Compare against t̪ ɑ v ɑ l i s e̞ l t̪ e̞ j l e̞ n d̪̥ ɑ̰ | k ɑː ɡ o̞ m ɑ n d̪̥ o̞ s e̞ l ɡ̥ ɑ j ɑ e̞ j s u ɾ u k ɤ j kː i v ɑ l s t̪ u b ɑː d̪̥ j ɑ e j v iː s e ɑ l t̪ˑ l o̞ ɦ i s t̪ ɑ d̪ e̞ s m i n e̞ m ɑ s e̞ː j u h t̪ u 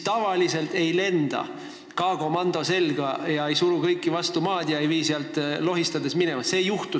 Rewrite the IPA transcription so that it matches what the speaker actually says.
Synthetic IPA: t̪ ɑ v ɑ l i s e̞ l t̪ e̞ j l e̞ n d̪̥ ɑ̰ | k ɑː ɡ o̞ m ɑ n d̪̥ o̞ s e̞ l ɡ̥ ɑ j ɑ e̞ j s u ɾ u k ɤ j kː i v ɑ s t̪ u m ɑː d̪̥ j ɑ e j v iː s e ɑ l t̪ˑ l o̞ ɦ i s t̪ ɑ d̪ e̞ s m i n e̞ m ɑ s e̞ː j u h t̪ u